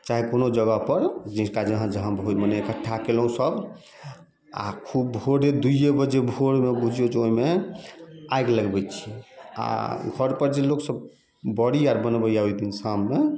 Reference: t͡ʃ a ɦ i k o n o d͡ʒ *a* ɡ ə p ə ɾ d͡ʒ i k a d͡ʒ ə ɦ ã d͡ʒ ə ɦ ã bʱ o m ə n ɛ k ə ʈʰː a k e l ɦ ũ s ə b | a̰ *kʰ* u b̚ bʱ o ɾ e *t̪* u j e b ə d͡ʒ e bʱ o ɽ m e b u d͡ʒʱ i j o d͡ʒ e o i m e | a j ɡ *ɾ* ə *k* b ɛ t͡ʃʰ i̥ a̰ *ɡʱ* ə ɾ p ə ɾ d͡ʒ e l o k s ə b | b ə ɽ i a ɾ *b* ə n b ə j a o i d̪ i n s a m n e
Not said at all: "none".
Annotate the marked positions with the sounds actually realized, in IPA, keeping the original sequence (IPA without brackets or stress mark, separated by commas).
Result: ə, kʰ, d̪, l, ɡ, ɡʱ, b